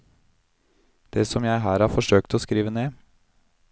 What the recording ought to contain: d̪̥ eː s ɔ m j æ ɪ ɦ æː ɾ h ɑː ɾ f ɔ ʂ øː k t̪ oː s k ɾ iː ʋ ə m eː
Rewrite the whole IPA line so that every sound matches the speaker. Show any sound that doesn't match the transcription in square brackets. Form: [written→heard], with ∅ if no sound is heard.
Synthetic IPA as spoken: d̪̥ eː s ɔ m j æ ɪ ɦ æː ɾ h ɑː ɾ f ɔ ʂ øː k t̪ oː s k ɾ iː ʋ ə [m→n] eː